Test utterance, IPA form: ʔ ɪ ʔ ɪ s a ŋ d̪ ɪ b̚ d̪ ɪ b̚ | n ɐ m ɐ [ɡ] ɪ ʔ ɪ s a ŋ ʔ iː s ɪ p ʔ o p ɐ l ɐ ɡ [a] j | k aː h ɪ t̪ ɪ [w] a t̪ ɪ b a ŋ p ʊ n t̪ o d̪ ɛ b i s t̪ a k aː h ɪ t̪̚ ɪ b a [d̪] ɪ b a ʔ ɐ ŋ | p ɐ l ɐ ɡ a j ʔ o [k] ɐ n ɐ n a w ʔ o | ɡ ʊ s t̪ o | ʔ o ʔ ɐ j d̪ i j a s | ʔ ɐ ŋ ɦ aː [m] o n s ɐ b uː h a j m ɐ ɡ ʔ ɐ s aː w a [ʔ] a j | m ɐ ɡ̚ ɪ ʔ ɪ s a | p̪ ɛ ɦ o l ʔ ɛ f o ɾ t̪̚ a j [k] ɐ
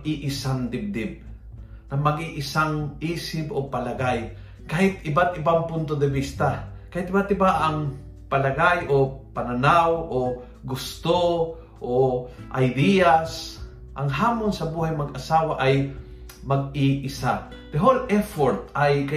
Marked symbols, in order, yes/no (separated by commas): yes, yes, no, no, no, yes, yes, yes